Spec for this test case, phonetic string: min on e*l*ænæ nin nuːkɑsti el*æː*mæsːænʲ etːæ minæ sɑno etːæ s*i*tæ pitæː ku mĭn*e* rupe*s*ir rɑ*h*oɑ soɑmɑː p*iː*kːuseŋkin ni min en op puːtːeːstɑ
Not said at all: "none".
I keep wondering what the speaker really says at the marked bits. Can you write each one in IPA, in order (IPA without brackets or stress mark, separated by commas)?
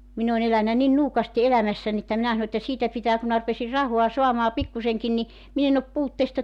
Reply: l, æ, iː, æ, s, h, i